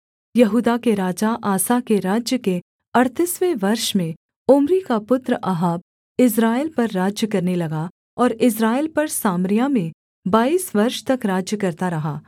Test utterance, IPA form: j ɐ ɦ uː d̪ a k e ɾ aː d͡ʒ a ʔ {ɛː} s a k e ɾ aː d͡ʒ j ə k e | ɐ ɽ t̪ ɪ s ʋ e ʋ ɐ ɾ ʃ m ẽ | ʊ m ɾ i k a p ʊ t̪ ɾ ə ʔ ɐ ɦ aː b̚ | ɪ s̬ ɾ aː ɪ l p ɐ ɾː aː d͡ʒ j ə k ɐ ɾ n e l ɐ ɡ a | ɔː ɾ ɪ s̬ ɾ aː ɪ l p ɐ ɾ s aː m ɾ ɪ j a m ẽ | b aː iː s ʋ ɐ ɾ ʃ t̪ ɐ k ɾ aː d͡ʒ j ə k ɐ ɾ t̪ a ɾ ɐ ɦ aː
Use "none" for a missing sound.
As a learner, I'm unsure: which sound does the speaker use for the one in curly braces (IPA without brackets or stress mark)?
aː